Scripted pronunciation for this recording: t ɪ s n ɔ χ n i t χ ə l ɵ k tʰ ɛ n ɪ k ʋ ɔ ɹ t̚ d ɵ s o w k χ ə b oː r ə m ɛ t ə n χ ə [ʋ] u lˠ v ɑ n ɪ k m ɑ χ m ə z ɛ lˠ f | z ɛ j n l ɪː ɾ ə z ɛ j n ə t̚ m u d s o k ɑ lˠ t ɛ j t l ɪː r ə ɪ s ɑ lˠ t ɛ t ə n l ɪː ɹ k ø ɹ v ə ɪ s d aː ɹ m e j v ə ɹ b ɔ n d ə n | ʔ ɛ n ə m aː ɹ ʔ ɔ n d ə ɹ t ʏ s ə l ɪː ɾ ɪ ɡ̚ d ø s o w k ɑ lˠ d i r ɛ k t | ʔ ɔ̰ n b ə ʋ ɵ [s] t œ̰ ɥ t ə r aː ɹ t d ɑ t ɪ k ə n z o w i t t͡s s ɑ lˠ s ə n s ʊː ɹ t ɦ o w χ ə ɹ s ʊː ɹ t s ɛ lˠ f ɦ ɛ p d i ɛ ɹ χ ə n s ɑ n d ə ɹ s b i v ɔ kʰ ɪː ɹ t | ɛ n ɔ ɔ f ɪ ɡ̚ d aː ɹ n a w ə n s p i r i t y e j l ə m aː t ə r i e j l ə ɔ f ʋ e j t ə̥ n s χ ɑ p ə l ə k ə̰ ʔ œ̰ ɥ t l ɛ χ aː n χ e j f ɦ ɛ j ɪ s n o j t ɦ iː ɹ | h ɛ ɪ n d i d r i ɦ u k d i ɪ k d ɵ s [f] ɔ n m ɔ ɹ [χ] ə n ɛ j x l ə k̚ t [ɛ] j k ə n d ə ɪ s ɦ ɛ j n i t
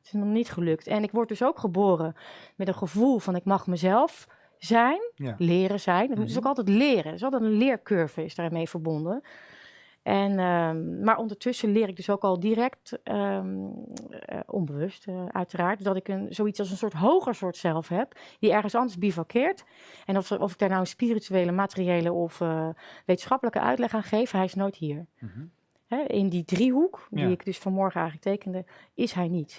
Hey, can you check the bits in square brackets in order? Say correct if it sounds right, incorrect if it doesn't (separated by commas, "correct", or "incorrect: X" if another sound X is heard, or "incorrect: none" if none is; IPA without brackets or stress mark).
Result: incorrect: v, correct, correct, correct, incorrect: e